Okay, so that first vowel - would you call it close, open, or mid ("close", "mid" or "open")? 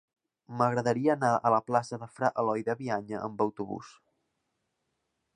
mid